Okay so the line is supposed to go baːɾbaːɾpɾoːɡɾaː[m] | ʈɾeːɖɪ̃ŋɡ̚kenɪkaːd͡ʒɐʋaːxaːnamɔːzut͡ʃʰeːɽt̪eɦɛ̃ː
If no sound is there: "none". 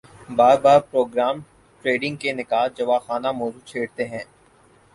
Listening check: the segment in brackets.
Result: m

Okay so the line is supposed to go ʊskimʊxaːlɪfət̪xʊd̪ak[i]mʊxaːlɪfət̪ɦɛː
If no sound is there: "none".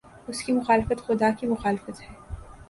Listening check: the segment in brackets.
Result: i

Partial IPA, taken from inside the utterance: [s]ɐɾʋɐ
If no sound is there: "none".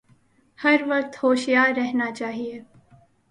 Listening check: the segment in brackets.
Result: h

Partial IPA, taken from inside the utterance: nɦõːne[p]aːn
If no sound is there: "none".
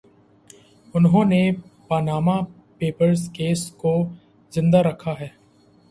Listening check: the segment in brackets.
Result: p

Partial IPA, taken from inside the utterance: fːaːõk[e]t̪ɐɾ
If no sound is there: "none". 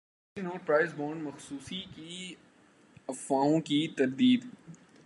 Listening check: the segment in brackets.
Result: i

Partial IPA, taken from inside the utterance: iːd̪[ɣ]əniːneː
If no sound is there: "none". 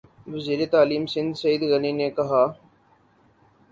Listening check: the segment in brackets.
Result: ɣ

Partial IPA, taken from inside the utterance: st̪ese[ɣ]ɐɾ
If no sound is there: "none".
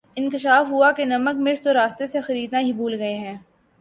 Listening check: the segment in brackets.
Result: x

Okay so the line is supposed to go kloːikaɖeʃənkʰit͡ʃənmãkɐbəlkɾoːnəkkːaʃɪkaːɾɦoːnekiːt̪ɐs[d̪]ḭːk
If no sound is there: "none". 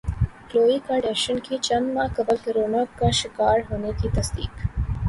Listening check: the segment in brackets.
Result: d̪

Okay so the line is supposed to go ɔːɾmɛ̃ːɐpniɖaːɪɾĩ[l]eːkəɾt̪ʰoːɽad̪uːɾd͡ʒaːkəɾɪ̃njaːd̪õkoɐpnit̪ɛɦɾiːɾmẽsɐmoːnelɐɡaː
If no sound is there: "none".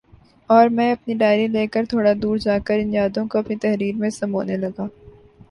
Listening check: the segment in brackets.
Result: l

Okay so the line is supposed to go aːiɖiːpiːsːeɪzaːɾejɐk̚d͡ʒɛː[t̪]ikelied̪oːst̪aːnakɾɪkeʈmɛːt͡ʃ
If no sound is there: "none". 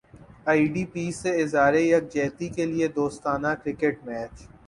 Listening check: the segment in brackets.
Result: t̪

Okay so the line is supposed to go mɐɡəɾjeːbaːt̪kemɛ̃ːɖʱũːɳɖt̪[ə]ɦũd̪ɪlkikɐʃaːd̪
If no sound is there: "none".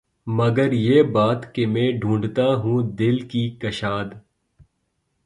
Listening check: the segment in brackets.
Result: a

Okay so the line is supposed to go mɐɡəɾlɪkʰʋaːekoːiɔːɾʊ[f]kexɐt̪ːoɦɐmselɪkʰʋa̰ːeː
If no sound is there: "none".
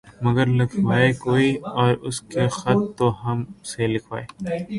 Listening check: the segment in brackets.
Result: s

